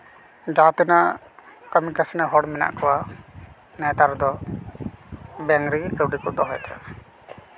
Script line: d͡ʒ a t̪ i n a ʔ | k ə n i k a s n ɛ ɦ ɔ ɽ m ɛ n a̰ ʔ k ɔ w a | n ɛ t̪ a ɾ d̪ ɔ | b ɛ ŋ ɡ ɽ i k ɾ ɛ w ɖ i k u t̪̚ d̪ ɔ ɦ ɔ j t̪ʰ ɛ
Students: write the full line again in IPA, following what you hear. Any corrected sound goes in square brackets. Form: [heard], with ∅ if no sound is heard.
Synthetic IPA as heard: d͡ʒ a t̪ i n a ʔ | k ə [m] i k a s n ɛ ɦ ɔ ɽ m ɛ n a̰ ʔ k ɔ w a | n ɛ t̪ a ɾ d̪ ɔ | b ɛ ŋ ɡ [ɾ] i k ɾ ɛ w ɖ i k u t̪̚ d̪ ɔ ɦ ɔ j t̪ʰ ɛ